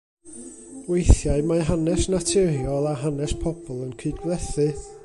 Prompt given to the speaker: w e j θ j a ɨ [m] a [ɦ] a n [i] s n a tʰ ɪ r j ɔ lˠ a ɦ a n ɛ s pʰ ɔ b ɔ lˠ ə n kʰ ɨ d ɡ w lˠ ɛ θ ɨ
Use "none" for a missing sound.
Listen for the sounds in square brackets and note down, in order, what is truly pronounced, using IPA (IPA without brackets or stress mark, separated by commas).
m, ɦ, ɛ